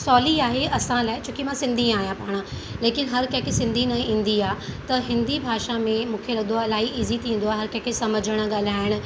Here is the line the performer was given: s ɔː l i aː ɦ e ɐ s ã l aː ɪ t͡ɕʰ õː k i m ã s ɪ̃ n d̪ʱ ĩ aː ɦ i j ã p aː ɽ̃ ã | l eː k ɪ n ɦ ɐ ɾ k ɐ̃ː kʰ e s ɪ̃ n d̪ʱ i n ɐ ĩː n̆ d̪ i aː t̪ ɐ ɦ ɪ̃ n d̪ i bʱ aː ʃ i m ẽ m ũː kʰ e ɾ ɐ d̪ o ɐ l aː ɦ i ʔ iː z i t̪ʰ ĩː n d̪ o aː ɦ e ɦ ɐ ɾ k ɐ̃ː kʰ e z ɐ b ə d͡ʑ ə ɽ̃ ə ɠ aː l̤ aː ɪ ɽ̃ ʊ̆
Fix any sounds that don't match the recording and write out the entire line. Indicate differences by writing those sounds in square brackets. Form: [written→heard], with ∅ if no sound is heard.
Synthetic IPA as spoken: s ɔː l i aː ɦ e ɐ s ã l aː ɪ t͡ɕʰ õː k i m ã s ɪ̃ n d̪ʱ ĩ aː ɦ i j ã p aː ɽ̃ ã | l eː k ɪ n ɦ ɐ ɾ k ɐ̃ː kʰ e s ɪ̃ n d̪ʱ i n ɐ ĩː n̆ d̪ i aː t̪ ɐ ɦ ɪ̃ n d̪ i bʱ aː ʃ [i→a] m ẽ m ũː kʰ e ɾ ɐ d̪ o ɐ l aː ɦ i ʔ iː z i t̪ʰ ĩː n d̪ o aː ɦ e ɦ ɐ ɾ k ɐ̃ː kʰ e [z→s] ɐ [b→m] ə d͡ʑ ə ɽ̃ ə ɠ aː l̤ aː ɪ ɽ̃ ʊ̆